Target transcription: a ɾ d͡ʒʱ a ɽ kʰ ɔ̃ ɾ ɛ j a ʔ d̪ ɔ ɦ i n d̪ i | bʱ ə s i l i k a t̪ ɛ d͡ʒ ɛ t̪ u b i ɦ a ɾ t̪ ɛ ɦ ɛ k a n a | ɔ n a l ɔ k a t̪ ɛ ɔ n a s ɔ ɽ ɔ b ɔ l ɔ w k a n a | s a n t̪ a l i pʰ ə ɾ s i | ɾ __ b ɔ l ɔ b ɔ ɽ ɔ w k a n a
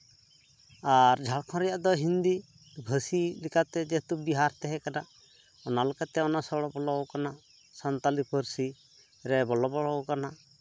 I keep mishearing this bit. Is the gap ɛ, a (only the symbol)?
ɛ